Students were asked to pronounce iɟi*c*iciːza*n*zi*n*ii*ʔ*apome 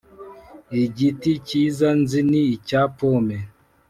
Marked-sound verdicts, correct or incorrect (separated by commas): incorrect, correct, correct, incorrect